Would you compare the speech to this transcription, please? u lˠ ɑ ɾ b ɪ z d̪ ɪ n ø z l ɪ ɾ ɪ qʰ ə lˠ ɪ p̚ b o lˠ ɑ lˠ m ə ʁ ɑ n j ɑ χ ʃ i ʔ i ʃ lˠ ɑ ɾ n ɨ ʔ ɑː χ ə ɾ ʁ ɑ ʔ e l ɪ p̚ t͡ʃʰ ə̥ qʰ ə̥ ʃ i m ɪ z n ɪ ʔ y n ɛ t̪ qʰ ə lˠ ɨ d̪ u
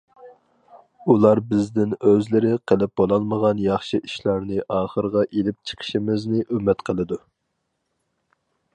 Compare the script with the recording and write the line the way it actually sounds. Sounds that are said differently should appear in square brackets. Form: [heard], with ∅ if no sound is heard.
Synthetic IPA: u lˠ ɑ ɾ b ɪ z d̪ ɪ n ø z l ɪ ɾ ɪ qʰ ə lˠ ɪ p̚ b o lˠ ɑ lˠ m ə ʁ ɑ n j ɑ χ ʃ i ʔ i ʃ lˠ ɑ ɾ n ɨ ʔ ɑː χ ə ɾ ʁ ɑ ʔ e l ɪ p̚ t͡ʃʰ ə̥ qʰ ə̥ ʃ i m ɪ z n ɪ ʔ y [m] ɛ t̪ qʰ ə lˠ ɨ d̪ u